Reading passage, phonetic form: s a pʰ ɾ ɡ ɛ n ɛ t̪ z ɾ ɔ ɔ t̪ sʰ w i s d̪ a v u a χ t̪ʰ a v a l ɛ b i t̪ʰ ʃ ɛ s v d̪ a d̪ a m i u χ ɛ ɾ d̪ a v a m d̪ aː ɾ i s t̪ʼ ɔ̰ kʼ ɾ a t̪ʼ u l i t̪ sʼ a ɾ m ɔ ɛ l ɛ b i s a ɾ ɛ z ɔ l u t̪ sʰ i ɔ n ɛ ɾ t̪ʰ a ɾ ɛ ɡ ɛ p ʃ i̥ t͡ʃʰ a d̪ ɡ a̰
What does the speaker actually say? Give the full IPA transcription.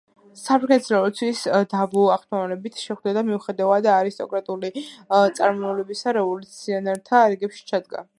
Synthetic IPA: s a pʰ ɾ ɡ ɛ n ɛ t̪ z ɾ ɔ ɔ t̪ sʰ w i s d̪ a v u a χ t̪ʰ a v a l ɛ b i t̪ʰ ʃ ɛ χ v d̪ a d̪ a m i u χ ɛ d̪ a v a d̪ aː ɾ i s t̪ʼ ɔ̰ kʼ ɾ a t̪ʼ u l i t̪ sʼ a ɾ m ɔ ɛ l ɛ b i s a ɾ ɛ v ɔ l u t̪ sʰ i ɔ n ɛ ɾ t̪ʰ a ɾ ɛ ɡ ɛ p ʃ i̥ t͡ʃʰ a d̪ ɡ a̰